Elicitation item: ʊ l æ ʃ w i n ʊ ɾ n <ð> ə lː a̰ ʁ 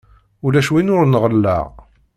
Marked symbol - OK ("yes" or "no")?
no